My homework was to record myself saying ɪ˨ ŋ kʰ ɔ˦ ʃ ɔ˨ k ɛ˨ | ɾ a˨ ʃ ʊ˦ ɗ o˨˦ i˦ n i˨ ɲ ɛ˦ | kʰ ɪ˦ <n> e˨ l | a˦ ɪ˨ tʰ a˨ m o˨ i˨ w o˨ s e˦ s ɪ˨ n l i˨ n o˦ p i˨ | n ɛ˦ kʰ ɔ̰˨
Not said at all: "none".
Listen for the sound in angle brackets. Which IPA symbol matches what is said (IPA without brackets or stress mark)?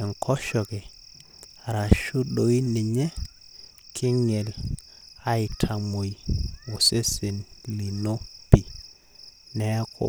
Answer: ŋ